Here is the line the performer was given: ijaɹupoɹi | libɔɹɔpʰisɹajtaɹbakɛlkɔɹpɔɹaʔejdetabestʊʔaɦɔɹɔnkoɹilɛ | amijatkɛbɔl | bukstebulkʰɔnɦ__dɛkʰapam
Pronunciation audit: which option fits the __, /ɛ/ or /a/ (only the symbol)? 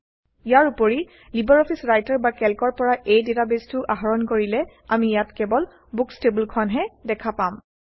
ɛ